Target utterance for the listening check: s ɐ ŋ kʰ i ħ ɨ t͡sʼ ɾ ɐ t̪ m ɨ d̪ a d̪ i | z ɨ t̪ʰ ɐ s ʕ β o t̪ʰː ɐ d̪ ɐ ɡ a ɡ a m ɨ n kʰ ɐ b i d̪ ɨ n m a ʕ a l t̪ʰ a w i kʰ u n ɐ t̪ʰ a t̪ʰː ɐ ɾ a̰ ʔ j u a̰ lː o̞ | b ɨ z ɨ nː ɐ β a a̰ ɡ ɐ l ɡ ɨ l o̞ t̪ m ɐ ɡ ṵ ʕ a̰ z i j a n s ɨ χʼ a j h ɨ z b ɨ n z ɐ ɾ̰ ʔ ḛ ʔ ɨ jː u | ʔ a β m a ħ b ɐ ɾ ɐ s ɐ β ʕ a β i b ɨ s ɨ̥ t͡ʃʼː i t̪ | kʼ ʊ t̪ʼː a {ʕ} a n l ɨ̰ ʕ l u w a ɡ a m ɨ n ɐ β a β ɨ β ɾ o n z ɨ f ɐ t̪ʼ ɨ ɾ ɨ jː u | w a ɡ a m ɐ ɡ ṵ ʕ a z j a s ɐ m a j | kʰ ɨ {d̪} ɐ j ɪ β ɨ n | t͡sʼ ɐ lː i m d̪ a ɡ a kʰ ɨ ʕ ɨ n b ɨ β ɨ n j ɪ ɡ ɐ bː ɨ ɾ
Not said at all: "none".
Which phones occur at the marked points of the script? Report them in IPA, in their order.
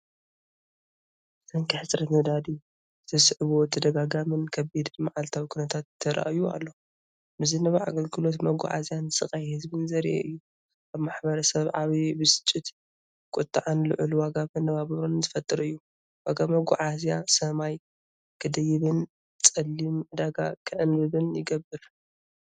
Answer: ʕ, d̪

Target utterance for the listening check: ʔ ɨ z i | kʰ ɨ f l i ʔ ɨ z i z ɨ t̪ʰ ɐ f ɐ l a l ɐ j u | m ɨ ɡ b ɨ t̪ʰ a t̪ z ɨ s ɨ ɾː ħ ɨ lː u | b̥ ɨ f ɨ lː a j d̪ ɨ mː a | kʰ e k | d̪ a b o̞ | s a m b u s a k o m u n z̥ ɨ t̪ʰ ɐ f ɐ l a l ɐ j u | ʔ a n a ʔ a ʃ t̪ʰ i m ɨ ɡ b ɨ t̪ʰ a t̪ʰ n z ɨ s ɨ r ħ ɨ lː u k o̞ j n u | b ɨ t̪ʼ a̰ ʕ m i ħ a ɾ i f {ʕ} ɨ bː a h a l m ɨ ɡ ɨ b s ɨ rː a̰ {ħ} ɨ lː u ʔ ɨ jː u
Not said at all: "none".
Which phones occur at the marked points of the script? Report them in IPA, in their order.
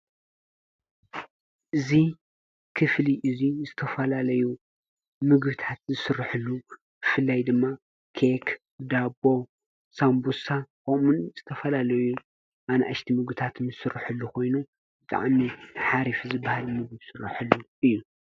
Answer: z, ħ

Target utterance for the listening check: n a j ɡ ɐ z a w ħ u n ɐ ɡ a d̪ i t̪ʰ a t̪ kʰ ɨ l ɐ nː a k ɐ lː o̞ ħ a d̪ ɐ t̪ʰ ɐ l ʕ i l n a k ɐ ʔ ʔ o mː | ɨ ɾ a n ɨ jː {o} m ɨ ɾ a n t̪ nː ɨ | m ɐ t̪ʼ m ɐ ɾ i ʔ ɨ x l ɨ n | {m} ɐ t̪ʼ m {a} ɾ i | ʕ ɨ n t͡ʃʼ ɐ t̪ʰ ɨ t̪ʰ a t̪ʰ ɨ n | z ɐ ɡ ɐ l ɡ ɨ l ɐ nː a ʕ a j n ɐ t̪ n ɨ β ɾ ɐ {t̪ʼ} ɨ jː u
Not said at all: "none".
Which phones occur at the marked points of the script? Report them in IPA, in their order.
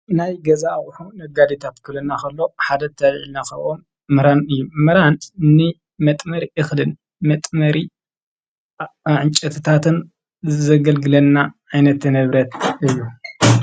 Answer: u, m, ɐ, t̪

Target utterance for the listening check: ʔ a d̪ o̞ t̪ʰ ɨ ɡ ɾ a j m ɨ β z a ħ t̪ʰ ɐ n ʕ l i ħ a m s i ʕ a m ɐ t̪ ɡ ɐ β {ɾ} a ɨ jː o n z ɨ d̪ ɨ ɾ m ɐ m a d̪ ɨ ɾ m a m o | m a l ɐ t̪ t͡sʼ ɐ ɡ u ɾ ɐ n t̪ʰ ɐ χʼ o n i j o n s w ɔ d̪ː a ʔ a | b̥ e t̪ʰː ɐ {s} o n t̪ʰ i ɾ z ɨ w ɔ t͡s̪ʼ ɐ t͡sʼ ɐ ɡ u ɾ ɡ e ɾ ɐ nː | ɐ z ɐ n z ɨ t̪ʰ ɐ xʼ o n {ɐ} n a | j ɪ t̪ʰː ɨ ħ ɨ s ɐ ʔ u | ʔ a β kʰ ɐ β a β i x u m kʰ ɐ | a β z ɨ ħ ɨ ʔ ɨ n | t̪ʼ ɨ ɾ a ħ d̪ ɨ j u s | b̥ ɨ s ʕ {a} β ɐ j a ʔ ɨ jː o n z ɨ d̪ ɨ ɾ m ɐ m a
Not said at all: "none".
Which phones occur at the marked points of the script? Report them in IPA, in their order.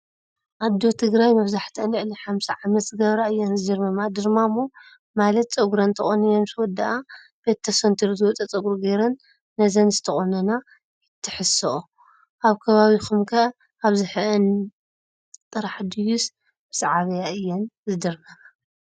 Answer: ɾ, s, ɐ, a

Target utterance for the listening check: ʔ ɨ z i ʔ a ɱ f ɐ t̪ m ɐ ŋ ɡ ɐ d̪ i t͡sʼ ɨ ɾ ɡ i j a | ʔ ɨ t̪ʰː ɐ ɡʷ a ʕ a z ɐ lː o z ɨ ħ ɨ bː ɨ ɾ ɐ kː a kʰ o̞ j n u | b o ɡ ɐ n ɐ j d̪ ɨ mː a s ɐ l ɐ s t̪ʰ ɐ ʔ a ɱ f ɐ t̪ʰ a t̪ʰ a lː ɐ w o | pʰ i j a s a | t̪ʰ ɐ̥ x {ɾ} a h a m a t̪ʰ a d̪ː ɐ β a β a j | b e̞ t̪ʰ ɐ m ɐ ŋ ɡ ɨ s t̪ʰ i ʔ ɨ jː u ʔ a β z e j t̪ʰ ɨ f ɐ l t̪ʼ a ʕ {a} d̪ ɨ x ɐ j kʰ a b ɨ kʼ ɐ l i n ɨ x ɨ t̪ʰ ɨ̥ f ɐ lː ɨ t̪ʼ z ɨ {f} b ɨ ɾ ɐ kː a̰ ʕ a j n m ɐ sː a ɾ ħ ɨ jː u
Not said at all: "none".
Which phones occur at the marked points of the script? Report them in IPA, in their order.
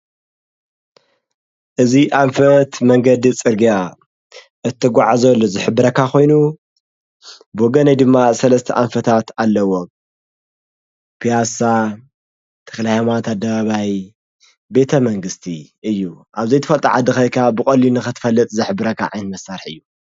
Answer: l, a, ħ

